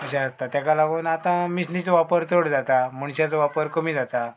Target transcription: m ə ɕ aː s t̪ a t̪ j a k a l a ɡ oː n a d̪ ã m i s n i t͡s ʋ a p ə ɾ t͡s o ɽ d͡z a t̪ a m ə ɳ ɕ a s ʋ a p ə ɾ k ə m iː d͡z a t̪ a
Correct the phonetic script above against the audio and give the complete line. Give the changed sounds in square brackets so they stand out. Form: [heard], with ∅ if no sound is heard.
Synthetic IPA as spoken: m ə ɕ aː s t̪ a t̪ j a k a l a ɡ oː n a [t̪] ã m i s n i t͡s ʋ a p ə ɾ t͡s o ɽ d͡z a t̪ a m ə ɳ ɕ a [t͡s] ʋ a p ə ɾ k ə m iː d͡z a t̪ a